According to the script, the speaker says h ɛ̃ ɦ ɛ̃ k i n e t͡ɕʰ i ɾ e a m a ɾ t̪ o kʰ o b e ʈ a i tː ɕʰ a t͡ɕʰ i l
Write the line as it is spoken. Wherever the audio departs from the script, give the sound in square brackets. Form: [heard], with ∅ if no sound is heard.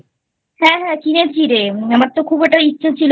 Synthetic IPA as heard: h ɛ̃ ɦ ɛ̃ k i n e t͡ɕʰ i ɾ e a m a ɾ t̪ o kʰ [u] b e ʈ a i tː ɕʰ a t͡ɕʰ i l